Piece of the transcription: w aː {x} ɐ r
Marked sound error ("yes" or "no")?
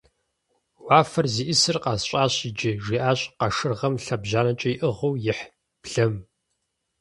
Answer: yes